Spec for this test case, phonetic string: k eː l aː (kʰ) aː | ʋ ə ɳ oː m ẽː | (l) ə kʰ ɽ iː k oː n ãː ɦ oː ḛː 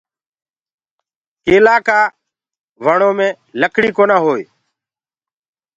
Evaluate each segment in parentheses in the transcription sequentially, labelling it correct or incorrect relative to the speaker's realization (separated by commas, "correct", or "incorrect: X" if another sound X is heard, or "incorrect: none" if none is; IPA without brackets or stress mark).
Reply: incorrect: k, correct